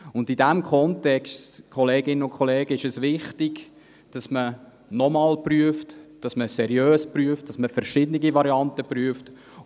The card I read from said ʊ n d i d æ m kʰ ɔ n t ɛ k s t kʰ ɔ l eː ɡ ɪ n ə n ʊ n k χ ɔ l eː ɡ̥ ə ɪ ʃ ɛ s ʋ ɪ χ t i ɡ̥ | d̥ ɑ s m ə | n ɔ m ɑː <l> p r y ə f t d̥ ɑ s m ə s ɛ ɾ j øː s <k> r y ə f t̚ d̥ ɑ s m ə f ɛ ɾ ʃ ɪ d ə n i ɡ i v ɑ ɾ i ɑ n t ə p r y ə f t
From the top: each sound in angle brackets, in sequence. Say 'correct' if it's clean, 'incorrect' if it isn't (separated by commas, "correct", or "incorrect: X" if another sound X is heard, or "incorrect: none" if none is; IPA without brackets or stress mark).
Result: correct, incorrect: p